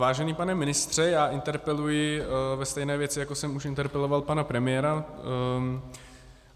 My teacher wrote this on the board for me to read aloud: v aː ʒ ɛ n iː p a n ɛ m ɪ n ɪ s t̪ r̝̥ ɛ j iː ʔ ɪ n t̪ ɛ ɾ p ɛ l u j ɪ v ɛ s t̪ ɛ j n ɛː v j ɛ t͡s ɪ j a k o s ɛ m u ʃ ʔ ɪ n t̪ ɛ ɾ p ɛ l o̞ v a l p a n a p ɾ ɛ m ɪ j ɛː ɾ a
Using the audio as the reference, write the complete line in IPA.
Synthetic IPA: v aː ʒ ɛ n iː p a n ɛ m ɪ n ɪ s t̪ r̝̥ ɛ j aː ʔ ɪ n t̪ ɛ ɾ p ɛ l u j ɪ v ɛ s t̪ ɛ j n ɛː v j ɛ t͡s ɪ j a k o s ɛ m u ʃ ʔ ɪ n t̪ ɛ ɾ p ɛ l o̞ v a l p a n a p ɾ ɛ m ɪ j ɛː ɾ a